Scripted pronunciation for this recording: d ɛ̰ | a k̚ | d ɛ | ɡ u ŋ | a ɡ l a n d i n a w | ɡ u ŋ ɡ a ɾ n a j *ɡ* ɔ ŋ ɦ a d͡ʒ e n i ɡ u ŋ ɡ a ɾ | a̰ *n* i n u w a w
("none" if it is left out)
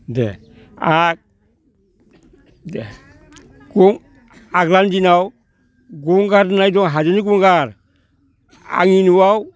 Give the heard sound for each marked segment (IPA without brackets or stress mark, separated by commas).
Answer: d, ŋ